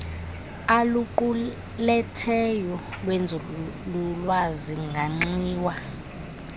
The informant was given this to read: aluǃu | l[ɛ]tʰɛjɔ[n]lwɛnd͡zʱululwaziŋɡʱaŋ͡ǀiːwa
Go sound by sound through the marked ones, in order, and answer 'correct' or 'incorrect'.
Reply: correct, incorrect: none

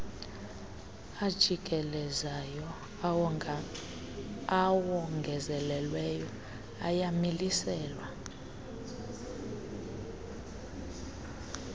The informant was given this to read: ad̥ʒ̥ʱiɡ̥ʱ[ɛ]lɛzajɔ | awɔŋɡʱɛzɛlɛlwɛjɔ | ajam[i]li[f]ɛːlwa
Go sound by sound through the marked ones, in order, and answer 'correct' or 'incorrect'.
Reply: correct, correct, incorrect: s

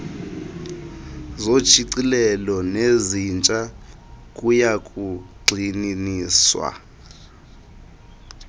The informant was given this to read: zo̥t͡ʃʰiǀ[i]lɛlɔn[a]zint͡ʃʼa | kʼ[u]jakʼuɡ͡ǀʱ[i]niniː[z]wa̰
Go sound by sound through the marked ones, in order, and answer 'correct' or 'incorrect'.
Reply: correct, incorrect: e, correct, correct, incorrect: s

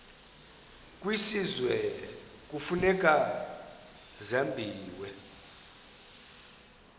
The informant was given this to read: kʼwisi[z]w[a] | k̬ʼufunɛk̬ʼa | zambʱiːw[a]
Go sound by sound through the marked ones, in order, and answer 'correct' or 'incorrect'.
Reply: correct, incorrect: ɛ, incorrect: ɛ

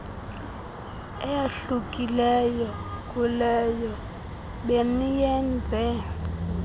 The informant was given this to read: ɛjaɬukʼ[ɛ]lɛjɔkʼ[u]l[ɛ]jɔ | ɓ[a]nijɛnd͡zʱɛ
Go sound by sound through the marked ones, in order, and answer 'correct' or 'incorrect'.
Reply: incorrect: i, correct, correct, incorrect: e

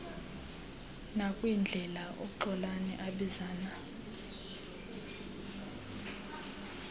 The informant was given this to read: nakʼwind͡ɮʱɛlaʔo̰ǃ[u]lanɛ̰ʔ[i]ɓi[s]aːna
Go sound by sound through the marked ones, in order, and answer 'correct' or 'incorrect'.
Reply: incorrect: ɔ, incorrect: a, incorrect: z

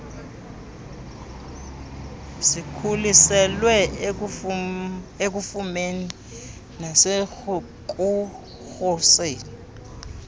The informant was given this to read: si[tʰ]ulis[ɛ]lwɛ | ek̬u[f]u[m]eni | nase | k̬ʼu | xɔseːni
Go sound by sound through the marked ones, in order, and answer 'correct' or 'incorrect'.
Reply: incorrect: kʰ, correct, correct, correct

